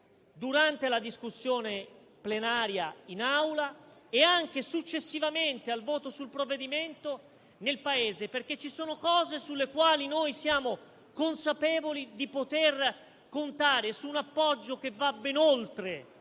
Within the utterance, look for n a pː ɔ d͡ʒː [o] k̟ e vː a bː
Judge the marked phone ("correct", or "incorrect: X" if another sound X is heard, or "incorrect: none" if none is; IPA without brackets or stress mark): correct